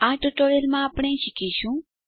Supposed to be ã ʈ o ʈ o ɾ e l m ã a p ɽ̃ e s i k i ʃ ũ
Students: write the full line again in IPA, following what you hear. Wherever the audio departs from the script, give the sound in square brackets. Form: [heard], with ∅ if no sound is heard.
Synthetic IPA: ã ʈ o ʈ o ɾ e l m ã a p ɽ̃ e [ʃ] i k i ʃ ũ